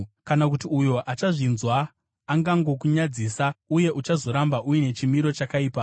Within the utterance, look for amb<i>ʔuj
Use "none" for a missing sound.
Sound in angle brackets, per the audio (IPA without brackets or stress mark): a